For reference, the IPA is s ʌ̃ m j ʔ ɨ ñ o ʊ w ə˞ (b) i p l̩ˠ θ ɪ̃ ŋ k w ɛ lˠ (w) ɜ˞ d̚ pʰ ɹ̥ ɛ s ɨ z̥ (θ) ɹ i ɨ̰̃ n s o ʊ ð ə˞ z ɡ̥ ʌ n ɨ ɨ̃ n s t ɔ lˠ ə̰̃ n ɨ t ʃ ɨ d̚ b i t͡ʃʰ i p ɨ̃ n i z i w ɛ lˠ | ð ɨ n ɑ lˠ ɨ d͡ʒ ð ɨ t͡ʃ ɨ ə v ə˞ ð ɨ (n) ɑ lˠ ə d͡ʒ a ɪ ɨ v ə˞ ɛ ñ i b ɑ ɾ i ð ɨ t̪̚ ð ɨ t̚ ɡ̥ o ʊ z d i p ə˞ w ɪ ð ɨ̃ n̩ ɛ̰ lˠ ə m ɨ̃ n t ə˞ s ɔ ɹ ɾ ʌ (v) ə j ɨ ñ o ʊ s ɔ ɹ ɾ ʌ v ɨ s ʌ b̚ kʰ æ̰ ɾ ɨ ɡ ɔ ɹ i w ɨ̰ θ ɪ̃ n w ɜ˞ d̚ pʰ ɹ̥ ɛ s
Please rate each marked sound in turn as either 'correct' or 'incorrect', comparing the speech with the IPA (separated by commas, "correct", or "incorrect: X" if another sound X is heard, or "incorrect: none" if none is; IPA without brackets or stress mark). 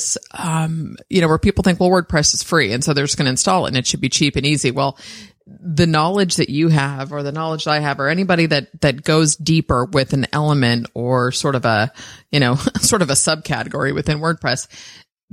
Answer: incorrect: p, correct, incorrect: f, correct, correct